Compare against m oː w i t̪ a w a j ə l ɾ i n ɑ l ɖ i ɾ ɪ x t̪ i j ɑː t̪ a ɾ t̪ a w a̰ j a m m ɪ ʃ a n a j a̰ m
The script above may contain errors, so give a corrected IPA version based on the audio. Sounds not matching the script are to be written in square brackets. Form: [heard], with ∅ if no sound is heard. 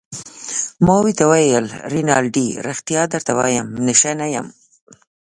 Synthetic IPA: m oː w i t̪ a w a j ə l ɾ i n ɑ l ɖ i ɾ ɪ x t̪ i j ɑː [d̪] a ɾ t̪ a w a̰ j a m [n] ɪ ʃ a n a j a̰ m